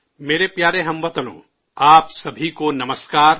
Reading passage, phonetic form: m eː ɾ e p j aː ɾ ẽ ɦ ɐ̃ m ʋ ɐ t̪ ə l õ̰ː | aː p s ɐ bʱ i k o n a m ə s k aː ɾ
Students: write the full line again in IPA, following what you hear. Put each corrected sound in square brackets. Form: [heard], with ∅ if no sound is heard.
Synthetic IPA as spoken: m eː ɾ e p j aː ɾ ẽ ɦ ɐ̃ m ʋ ɐ t̪ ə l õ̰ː | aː p s ɐ bʱ i k o n [ɐ] m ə s k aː ɾ